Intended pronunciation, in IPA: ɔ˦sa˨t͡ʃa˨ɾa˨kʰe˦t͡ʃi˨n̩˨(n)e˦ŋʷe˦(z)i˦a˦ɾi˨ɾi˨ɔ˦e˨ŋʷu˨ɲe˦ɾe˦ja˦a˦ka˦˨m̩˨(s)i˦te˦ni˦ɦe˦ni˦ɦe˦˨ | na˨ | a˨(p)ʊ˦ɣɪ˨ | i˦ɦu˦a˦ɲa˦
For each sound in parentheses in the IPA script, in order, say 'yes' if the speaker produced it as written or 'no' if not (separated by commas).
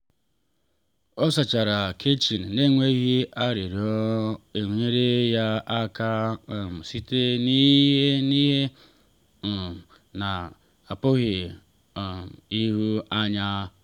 yes, no, yes, yes